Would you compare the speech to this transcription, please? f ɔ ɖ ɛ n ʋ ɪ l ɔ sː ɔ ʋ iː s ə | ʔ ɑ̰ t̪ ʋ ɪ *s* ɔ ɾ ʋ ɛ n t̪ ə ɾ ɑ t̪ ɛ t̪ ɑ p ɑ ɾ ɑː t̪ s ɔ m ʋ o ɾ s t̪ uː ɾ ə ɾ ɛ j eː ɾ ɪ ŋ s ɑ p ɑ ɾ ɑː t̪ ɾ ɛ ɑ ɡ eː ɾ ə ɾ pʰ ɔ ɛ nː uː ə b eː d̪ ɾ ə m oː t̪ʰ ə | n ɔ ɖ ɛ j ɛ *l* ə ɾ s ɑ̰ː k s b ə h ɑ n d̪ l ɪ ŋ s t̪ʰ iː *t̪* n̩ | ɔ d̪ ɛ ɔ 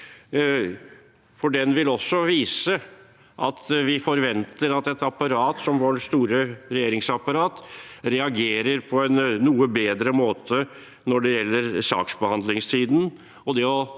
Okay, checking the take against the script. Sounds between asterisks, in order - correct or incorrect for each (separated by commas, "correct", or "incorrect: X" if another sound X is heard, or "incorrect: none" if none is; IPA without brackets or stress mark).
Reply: incorrect: f, incorrect: lː, incorrect: d̪